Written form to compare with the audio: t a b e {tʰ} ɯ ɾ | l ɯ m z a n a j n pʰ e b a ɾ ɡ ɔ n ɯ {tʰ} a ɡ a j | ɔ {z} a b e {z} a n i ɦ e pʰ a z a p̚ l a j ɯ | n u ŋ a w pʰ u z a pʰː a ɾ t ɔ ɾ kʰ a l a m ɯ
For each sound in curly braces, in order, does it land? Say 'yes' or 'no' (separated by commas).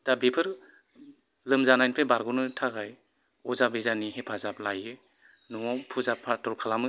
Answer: no, yes, yes, yes